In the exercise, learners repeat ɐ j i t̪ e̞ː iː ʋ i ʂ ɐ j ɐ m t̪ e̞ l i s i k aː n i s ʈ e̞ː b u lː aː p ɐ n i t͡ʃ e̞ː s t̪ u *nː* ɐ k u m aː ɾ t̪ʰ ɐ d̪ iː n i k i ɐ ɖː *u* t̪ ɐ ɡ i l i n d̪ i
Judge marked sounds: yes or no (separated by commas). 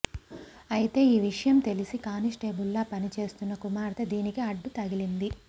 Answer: yes, yes